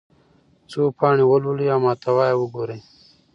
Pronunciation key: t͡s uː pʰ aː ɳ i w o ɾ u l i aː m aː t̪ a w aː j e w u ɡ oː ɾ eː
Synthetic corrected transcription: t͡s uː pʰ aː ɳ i w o l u l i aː m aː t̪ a w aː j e w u ɡ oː ɾ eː